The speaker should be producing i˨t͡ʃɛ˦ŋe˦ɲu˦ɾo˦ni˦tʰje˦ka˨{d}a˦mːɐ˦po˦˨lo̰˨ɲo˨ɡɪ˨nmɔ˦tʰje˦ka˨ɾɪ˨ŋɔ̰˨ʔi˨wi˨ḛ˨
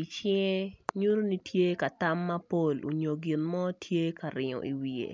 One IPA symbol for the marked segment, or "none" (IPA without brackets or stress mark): t